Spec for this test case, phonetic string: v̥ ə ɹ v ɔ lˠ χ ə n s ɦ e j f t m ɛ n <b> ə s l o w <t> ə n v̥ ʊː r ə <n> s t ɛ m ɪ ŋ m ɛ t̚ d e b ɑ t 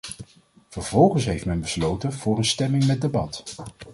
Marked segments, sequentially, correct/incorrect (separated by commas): correct, correct, correct